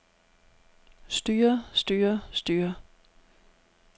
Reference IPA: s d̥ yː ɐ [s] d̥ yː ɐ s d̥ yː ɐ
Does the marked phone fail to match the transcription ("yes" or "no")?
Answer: no